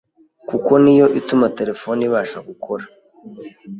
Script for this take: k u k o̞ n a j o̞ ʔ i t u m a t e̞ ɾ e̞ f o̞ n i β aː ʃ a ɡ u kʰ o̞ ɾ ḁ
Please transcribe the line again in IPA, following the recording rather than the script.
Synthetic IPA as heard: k u k o̞ n i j o̞ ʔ i t u m a t e̞ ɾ e̞ f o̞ n i β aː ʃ a ɡ u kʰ o̞ ɾ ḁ